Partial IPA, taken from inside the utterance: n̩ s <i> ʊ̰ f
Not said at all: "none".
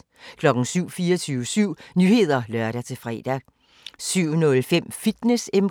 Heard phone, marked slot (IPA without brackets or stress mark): y